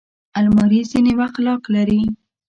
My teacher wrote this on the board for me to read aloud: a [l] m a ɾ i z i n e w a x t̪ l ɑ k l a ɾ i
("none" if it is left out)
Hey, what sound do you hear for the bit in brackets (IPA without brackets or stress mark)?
l